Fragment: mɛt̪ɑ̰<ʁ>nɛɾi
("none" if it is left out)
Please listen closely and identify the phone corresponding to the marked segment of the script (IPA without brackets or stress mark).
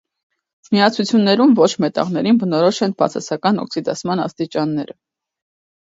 ʁ